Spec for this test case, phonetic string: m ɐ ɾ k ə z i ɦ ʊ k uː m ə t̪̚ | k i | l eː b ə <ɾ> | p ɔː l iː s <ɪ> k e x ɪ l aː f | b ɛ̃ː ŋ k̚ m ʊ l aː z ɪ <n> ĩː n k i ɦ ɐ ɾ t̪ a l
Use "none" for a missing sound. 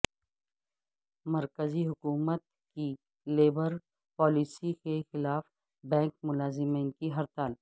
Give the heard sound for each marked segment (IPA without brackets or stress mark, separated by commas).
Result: ɾ, i, m